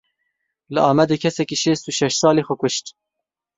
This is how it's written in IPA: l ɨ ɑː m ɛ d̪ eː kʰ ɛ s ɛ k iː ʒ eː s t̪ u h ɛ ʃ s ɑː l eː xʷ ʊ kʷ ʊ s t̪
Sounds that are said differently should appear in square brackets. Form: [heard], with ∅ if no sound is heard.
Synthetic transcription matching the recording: l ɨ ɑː m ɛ d̪ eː kʰ ɛ s ɛ k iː [ʃ] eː s t̪ u [ʃ] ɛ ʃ s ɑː l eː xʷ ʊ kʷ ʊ [ʃ] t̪